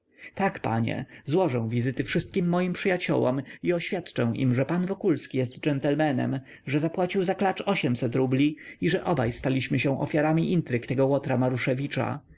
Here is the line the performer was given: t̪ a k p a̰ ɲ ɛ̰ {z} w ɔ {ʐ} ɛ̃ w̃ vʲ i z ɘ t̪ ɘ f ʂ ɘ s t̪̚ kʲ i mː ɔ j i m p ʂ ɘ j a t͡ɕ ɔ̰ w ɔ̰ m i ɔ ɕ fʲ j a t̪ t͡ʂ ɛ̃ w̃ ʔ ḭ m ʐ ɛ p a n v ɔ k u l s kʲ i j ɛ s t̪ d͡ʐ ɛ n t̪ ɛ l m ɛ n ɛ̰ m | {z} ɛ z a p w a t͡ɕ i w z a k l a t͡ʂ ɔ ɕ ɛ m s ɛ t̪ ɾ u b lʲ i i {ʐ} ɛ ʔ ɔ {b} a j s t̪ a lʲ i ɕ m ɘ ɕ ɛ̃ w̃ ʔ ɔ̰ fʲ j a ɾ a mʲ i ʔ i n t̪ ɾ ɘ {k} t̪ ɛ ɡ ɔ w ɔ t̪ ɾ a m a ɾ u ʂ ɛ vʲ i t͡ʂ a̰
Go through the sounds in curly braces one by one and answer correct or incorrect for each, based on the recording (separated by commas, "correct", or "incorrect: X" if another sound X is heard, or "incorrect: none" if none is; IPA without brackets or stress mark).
correct, correct, incorrect: ʐ, correct, correct, correct